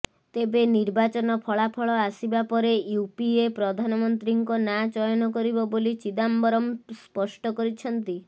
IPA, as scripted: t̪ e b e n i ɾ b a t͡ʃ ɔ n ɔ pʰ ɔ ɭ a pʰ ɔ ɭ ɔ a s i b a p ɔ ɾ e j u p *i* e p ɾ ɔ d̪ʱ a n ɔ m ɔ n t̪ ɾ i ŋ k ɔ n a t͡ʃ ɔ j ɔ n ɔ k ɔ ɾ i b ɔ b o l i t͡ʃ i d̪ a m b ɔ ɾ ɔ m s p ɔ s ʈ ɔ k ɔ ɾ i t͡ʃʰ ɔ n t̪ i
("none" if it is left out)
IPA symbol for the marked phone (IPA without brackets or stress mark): i